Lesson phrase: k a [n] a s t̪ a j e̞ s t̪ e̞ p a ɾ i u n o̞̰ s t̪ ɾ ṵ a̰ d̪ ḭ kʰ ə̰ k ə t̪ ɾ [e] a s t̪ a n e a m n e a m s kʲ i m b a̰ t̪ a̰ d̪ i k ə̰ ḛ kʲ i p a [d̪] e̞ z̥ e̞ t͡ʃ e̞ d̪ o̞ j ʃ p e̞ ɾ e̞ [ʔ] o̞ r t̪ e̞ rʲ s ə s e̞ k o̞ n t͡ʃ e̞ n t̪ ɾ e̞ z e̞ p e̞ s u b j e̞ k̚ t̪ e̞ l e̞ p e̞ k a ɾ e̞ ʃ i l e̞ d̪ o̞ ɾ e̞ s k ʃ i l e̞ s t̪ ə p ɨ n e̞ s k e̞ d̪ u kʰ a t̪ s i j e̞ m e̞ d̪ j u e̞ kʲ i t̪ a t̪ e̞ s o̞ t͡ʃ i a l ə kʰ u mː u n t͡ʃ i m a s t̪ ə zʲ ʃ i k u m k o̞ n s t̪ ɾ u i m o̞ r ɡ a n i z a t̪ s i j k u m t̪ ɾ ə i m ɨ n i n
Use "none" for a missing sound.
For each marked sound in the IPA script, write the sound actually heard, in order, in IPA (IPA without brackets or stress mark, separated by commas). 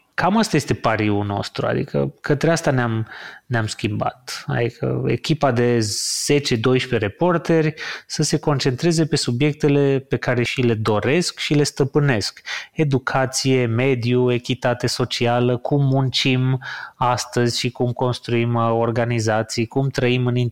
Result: m, e, d̪, p